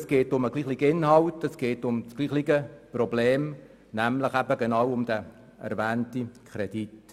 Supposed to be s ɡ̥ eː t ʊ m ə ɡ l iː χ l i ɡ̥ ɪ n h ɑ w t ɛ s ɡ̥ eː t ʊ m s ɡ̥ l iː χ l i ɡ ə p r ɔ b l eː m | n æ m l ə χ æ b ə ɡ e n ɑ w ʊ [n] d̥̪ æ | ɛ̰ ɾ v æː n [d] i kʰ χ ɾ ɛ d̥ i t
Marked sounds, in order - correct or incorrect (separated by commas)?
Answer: incorrect, incorrect